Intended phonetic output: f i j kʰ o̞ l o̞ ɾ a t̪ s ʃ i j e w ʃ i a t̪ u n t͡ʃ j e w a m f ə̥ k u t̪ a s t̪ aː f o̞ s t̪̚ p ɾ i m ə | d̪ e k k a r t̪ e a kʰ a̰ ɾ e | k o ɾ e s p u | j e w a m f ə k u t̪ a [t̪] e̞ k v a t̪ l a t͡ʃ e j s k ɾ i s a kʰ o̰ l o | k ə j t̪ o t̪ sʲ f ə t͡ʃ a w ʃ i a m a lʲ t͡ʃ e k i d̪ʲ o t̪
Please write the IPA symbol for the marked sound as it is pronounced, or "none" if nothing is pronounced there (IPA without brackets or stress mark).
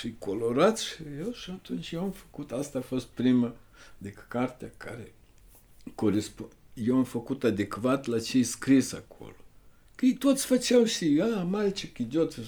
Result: d̪